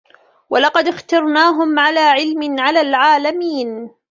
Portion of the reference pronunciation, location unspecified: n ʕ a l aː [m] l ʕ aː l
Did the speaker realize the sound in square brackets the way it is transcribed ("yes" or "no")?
no